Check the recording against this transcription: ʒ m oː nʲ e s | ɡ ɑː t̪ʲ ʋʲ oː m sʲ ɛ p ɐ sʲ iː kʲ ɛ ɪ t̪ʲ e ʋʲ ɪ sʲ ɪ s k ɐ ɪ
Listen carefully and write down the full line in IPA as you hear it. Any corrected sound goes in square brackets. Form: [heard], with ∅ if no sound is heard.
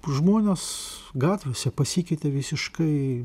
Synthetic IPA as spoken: ʒ m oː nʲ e s | ɡ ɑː t̪ʲ ʋʲ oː [∅] sʲ ɛ p ɐ sʲ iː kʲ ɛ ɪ t̪ʲ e ʋʲ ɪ sʲ ɪ [ʃ] k ɐ ɪ